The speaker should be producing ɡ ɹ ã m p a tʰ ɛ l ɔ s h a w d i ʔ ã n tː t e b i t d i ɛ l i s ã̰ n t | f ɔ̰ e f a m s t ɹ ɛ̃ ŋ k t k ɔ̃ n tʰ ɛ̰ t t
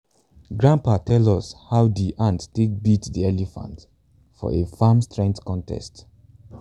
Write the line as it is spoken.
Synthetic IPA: ɡ ɹ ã m p a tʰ ɛ l ɔ s h a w d i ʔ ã n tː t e b i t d i ɛ l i f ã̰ n t | f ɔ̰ e f a m s t ɹ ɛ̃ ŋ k t k ɔ̃ n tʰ ɛ̰ s t